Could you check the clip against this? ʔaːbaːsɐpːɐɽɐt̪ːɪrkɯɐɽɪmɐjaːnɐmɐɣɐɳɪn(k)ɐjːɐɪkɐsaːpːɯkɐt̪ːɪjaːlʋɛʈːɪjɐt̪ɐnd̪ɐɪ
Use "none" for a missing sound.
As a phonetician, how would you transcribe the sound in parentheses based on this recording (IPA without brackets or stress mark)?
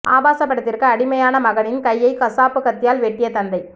k